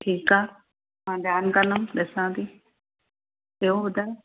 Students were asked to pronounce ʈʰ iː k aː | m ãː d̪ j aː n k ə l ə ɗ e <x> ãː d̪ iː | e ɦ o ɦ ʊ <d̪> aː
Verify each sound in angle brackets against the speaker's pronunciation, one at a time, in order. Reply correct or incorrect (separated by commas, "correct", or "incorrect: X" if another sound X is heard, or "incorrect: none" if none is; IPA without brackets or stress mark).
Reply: incorrect: s, correct